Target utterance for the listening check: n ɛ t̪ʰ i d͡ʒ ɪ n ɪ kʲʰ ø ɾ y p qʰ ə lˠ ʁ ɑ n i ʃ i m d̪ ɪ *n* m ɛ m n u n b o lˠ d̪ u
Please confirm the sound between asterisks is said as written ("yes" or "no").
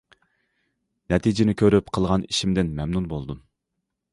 yes